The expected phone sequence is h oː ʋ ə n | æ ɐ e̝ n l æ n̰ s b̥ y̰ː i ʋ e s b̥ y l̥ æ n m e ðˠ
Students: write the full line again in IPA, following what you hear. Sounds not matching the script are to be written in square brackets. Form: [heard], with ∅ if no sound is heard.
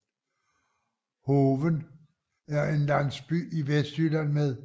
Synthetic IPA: h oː ʋ ə n | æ ɐ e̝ n l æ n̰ s b̥ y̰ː i ʋ e s [d̥] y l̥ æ n m e ðˠ

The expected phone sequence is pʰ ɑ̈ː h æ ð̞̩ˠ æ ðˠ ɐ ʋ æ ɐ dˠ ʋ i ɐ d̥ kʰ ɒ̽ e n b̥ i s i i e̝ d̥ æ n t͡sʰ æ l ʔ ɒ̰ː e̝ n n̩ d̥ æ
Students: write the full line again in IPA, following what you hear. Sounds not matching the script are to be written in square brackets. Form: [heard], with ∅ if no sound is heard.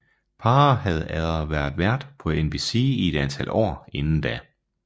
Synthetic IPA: pʰ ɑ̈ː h æ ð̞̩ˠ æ ðˠ ɐ ʋ æ ɐ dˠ ʋ [æ] ɐ d̥ [pʰ] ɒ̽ e n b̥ i s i i e̝ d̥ æ n t͡sʰ æ l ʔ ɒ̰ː e̝ n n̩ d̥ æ

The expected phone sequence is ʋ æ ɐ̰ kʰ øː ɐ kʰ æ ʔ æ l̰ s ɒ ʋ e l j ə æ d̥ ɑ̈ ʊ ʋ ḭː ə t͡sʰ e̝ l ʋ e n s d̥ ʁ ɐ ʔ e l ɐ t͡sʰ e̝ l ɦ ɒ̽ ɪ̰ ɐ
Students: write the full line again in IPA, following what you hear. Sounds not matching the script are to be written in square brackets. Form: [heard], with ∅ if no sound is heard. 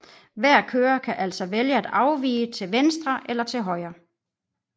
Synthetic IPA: ʋ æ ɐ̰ kʰ øː ɐ kʰ æ ʔ æ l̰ s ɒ ʋ e l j ə æ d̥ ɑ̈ ʊ ʋ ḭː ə t͡sʰ e̝ l ʋ e n s d̥ ʁ ɐ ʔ e l ɐ t͡sʰ e̝ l ɦ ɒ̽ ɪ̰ ɐ

